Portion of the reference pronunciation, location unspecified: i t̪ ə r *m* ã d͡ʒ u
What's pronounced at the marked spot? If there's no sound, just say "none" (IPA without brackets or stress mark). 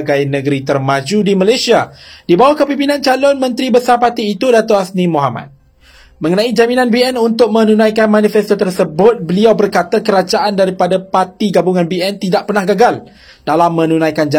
m